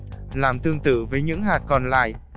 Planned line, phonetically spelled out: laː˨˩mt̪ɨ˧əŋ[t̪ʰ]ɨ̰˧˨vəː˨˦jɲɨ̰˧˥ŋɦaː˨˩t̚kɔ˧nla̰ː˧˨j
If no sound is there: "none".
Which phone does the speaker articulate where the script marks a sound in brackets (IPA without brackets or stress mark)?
t̪